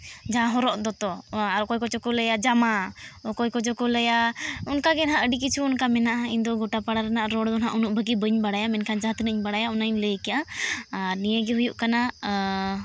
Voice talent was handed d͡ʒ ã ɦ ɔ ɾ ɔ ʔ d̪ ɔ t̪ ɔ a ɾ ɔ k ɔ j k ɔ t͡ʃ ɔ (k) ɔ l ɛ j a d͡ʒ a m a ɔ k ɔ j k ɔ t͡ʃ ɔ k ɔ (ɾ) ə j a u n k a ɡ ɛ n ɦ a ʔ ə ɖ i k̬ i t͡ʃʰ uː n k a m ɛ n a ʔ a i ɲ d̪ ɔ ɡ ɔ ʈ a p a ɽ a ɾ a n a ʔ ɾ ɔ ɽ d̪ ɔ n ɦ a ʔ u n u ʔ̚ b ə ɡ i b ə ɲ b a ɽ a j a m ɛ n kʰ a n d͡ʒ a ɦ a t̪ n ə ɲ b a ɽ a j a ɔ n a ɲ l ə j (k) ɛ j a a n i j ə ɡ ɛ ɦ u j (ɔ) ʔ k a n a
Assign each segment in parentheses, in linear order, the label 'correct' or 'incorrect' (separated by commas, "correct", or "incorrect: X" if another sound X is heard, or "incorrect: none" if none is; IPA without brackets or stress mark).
correct, incorrect: l, correct, incorrect: u